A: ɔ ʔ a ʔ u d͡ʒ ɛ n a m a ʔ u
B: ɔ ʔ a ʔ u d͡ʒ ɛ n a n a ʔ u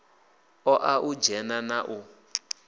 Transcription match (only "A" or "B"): B